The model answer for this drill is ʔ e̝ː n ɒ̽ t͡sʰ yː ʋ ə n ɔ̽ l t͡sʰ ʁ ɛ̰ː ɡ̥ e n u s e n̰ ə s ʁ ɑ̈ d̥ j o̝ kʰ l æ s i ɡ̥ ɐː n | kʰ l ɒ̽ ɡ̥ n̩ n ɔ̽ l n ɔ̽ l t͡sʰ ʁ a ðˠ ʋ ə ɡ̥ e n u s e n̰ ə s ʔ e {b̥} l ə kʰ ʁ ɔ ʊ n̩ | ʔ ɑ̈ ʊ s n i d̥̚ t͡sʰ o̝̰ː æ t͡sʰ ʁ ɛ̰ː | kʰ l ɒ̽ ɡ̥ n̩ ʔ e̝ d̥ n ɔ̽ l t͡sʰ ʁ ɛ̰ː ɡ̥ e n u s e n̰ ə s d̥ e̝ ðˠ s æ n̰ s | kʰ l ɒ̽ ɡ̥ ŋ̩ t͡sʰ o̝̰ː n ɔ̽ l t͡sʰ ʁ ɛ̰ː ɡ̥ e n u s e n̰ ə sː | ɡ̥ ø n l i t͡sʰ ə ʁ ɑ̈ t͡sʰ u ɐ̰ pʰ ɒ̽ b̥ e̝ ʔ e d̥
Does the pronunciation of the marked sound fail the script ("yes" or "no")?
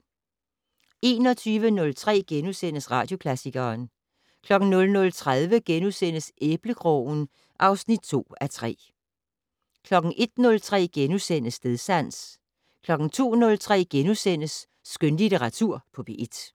no